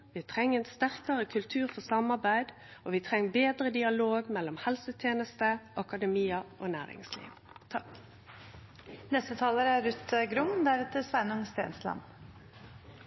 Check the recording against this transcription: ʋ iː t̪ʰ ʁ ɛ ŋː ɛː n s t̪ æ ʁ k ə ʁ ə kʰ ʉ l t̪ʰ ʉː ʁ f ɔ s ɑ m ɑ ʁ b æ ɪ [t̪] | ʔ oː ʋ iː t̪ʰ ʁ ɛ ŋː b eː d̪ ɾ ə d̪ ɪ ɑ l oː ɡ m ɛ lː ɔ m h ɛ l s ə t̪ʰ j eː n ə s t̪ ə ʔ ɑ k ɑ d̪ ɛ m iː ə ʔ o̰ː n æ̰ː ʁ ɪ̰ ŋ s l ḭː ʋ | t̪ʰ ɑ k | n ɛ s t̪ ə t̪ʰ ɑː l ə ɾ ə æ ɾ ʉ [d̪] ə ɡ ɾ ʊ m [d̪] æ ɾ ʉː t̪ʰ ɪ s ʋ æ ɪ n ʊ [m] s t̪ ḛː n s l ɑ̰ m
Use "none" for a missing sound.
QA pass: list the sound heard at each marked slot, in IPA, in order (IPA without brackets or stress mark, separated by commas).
d̪, t̪, d̪, ŋ